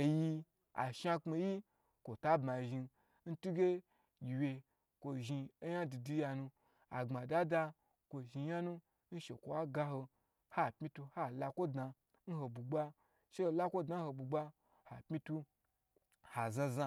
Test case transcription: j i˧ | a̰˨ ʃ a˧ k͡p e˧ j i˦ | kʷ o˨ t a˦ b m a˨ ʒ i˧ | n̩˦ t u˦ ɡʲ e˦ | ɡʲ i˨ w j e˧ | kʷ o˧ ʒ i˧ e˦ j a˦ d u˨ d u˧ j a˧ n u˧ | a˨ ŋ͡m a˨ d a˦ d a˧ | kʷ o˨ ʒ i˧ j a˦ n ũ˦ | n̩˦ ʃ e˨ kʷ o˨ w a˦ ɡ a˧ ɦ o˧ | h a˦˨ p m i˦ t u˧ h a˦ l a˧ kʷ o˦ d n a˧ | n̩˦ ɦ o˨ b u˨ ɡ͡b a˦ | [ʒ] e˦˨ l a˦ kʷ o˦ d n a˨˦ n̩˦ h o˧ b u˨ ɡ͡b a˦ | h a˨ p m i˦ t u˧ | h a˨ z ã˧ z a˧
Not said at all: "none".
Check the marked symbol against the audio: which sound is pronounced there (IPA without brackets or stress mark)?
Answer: ʃ